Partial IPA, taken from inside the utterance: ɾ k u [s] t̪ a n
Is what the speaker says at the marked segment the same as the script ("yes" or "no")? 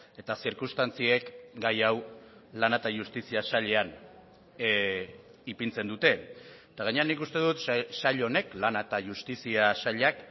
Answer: yes